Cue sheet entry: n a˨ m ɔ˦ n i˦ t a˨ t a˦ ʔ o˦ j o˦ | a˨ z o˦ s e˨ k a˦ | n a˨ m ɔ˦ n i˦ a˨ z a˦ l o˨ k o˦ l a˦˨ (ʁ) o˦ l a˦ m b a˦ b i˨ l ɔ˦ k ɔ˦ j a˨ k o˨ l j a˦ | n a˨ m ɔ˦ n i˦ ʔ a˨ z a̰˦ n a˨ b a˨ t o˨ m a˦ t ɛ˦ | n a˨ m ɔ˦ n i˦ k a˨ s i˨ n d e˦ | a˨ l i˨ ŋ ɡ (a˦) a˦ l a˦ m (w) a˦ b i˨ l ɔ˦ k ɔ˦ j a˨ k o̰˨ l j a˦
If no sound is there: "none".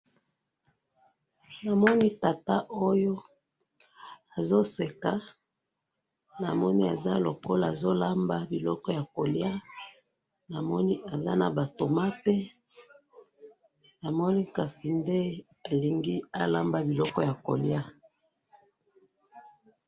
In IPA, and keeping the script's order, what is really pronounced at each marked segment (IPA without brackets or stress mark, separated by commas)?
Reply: z, i˦, b